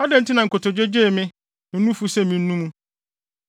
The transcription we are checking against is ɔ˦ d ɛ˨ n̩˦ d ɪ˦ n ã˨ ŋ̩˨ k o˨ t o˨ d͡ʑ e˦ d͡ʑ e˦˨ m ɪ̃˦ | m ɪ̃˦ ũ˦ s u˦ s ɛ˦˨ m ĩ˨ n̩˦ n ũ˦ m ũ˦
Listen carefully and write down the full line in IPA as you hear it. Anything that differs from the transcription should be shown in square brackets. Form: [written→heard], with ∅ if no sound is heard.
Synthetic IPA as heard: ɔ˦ d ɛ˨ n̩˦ [d→t] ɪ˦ n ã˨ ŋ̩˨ k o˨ t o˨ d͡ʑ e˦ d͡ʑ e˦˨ m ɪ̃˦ | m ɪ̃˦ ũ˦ [s→f] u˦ s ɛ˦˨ m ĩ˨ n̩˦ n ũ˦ m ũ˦